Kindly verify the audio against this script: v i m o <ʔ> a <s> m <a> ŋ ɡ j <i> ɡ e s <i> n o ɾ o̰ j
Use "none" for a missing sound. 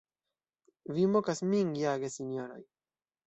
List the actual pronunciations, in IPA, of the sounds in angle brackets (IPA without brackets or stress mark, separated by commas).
k, s, i, a, i